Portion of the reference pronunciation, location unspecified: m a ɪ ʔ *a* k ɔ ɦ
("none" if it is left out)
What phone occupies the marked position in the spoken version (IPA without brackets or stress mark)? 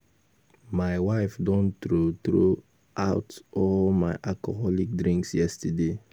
a